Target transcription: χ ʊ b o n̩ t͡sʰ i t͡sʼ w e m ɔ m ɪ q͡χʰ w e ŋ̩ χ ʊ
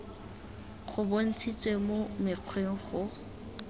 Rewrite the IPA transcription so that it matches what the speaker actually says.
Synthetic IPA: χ ʊ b o n̩ t͡sʰ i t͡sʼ w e m o m ɪ q͡χʰ w e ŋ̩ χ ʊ

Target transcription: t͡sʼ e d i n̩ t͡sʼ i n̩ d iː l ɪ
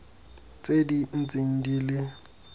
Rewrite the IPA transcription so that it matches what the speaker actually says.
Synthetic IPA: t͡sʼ e d i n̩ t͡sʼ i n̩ d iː l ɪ

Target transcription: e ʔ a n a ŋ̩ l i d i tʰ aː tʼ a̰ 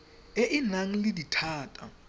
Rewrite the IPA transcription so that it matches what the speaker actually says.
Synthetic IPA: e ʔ i n a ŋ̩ l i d i tʰ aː tʼ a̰

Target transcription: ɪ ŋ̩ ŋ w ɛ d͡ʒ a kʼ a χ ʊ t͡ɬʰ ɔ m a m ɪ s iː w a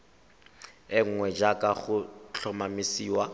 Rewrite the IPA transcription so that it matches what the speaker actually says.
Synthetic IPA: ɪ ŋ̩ ŋ w ɛ d͡ʒ a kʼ a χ ʊ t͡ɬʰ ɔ m a m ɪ s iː w a

